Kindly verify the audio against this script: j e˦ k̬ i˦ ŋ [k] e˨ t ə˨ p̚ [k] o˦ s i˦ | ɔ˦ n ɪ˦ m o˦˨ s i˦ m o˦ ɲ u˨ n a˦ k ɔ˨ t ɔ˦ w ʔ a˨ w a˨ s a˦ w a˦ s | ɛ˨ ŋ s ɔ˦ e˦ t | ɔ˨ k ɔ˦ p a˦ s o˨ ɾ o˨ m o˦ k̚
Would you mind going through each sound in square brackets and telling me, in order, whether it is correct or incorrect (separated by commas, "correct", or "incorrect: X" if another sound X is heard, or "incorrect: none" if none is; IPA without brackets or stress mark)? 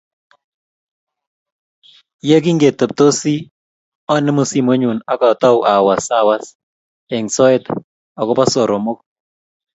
incorrect: ɡ, incorrect: t